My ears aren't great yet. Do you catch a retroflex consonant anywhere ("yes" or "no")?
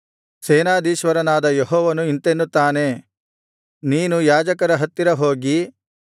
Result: no